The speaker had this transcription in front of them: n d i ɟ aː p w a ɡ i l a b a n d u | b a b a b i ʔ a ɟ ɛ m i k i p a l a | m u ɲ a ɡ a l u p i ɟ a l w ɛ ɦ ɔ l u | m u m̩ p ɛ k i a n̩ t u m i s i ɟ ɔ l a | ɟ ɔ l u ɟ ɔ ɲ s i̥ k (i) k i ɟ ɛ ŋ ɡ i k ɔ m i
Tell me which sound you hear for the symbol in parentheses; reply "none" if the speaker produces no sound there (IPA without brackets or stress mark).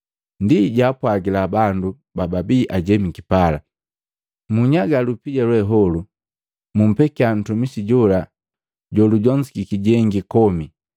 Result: i